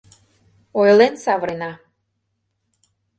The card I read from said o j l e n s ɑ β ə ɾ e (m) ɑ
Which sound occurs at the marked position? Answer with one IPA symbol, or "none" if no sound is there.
n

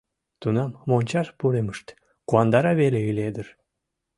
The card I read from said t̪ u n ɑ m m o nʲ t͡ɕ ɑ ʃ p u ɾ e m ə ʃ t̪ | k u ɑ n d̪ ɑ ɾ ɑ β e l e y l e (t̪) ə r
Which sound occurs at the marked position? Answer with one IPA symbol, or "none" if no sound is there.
d̪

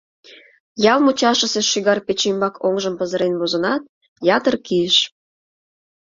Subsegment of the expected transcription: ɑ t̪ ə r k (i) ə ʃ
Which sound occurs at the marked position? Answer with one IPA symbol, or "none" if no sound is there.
i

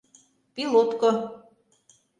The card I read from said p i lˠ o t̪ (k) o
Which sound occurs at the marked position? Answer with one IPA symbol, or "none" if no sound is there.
k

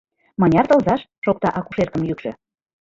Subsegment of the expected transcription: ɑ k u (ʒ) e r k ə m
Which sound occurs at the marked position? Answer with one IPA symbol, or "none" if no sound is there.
ʃ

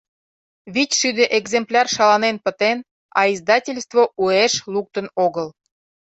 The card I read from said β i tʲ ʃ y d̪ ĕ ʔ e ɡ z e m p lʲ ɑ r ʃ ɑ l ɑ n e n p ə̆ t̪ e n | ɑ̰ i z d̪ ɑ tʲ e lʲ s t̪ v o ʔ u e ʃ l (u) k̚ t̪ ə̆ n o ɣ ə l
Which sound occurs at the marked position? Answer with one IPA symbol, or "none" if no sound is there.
u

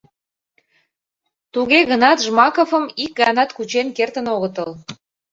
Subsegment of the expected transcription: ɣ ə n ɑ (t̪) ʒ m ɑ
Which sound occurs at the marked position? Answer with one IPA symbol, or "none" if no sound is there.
t̪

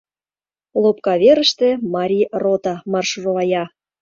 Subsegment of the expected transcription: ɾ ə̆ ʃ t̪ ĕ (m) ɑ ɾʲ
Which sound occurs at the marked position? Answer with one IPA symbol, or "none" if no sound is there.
m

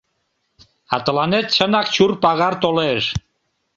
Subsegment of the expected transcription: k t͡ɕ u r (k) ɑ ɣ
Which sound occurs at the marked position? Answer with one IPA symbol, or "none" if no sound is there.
p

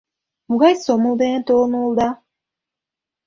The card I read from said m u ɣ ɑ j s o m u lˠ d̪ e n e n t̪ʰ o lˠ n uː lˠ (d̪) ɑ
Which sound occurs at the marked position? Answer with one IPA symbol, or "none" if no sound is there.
d̪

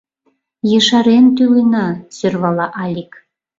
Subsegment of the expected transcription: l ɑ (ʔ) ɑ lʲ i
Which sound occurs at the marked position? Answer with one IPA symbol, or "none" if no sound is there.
ʔ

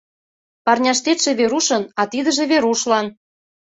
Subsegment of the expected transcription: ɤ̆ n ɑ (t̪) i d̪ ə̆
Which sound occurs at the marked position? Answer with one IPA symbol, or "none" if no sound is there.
t̪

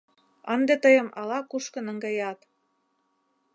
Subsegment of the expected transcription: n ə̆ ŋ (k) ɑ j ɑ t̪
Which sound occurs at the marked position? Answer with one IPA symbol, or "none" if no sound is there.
ɡ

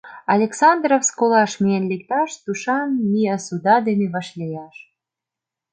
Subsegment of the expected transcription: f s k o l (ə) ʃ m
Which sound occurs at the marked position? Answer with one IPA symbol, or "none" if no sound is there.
ɑ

